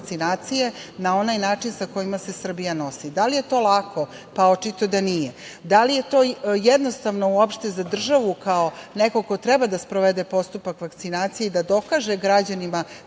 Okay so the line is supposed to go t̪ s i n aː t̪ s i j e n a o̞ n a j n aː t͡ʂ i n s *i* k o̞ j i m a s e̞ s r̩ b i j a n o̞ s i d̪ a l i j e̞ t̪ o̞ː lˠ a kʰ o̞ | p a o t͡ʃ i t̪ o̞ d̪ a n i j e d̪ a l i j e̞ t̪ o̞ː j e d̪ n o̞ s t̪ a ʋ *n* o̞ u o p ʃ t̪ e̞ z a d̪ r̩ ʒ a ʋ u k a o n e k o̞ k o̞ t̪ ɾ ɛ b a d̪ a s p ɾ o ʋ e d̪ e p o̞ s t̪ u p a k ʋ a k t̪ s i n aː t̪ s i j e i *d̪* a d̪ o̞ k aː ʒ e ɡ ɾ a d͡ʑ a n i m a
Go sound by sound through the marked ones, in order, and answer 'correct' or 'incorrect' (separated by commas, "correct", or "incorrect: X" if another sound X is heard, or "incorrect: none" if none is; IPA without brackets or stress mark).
incorrect: a, correct, correct